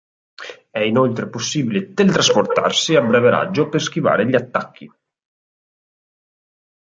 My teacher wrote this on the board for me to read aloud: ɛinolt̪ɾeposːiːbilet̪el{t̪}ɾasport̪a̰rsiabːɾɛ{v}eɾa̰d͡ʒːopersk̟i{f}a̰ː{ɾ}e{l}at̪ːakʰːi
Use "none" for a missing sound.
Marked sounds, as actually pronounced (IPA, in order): t̪, v, v, ɾ, ʎ

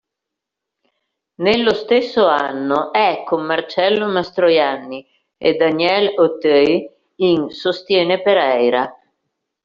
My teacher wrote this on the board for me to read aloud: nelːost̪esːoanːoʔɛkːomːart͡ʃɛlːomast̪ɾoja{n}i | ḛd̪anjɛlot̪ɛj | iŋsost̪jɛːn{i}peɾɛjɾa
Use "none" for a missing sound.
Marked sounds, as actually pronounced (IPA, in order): nː, e

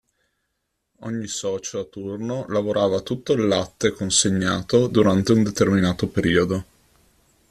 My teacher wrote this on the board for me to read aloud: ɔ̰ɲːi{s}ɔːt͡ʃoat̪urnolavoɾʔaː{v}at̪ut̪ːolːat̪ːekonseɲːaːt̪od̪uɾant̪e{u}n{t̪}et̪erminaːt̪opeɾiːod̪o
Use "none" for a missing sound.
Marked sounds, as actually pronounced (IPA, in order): s, v, u, d̪

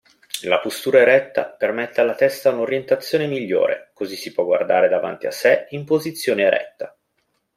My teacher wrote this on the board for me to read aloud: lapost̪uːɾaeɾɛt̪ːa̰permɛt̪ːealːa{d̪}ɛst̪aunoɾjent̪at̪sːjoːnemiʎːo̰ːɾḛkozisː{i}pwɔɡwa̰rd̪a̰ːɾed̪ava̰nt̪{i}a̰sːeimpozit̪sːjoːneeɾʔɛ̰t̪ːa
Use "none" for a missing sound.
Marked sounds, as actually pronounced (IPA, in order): t̪, i, i

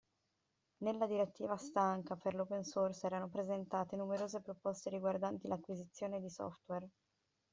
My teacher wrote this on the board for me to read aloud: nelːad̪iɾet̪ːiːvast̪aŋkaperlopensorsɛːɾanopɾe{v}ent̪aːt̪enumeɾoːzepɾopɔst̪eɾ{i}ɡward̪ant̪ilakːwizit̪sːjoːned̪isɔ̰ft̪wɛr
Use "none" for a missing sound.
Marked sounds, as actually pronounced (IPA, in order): z, i

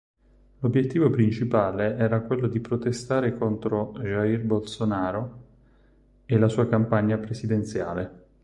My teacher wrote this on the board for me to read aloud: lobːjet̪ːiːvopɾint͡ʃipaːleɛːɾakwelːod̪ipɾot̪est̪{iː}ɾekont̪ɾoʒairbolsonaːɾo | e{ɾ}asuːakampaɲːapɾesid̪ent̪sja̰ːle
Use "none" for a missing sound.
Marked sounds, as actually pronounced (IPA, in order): aː, l

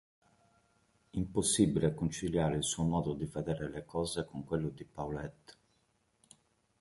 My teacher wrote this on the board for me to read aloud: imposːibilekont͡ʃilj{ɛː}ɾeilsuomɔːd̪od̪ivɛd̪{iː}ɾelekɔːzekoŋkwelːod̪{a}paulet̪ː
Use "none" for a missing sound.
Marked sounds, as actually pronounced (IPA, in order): aː, ɛː, i

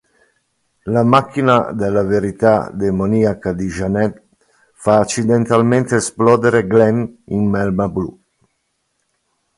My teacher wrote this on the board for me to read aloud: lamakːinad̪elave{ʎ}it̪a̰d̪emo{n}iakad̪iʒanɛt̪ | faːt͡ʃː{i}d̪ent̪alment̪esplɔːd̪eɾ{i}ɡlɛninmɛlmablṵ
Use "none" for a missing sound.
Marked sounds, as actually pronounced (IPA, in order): ɾ, n, i, e

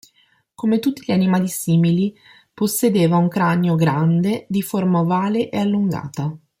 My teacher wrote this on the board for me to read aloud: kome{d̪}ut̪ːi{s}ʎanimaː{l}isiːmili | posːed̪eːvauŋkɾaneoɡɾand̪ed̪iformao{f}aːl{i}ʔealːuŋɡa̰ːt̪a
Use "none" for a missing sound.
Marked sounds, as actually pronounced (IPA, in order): t̪, none, l, v, e

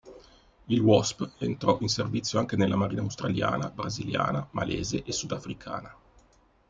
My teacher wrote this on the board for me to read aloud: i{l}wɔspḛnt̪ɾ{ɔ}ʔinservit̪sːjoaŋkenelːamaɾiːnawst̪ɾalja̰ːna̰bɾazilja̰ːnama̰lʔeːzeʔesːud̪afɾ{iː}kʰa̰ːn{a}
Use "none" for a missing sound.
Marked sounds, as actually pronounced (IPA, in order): l, ɔ, i, a

